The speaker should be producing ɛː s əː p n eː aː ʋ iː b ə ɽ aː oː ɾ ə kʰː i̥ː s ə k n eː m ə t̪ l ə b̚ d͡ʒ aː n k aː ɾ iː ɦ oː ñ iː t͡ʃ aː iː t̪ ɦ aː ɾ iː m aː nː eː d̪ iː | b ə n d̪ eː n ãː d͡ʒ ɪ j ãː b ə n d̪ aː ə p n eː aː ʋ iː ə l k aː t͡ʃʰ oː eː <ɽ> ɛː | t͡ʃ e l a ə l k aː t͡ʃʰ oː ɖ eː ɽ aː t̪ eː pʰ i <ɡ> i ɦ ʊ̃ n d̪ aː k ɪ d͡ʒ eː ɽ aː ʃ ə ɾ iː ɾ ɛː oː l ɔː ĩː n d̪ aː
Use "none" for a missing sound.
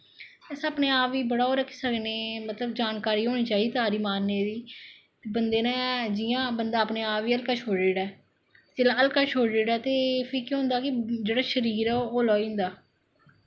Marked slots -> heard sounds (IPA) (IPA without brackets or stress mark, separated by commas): ɽ, k